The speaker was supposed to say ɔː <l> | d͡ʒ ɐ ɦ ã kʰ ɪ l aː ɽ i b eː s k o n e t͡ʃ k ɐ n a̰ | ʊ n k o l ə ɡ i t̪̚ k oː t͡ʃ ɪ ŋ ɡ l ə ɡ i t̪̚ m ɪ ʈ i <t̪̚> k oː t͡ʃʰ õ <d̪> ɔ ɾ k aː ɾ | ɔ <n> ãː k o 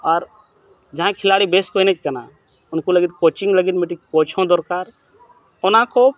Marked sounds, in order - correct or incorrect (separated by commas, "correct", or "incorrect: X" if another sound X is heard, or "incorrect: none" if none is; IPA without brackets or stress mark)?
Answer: incorrect: ɾ, incorrect: none, correct, correct